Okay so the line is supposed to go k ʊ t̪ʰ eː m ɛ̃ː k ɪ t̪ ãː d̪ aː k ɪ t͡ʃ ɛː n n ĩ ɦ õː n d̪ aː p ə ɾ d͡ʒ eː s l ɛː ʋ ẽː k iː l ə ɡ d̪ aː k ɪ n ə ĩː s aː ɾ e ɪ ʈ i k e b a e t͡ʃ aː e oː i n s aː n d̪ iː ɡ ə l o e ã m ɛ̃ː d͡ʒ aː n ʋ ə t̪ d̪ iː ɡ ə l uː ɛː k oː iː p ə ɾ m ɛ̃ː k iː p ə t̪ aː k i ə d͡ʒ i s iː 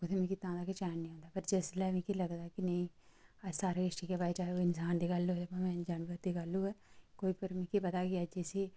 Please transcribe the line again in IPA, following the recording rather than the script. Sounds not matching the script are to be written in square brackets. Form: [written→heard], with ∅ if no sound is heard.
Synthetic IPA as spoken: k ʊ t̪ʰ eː m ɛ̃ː k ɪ t̪ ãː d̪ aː k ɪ t͡ʃ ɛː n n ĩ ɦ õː n d̪ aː p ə ɾ d͡ʒ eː s l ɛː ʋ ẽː k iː l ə ɡ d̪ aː k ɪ n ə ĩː s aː ɾ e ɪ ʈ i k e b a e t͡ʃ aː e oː [i→ɪ] n s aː n d̪ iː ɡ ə l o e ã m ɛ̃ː d͡ʒ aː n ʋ ə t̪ d̪ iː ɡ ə l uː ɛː k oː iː p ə ɾ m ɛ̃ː k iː p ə t̪ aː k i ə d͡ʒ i s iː